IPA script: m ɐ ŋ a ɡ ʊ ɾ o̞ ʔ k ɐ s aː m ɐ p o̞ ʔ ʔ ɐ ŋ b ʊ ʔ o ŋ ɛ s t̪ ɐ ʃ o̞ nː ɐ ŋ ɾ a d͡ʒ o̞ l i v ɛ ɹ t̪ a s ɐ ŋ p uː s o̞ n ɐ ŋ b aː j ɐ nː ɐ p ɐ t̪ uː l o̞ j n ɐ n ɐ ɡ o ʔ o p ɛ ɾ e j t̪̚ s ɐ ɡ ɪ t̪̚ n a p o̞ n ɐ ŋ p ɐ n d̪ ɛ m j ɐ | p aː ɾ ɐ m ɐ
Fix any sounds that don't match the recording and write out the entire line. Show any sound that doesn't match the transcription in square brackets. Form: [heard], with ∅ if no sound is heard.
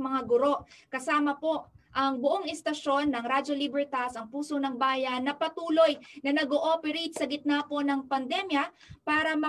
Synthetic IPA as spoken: m ɐ ŋ a ɡ ʊ ɾ o̞ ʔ k ɐ s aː m ɐ p o̞ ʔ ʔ ɐ ŋ b ʊ ʔ o ŋ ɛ s t̪ ɐ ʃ o̞ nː ɐ ŋ ɾ a d͡ʒ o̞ l i [b] ɛ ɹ t̪ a s ɐ ŋ p uː s o̞ n ɐ ŋ b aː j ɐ nː ɐ p ɐ t̪ uː l o̞ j n ɐ n ɐ ɡ o ʔ o p ɛ ɾ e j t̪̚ s ɐ ɡ ɪ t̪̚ n a p o̞ n ɐ ŋ p ɐ n d̪ ɛ m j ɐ | p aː ɾ ɐ m ɐ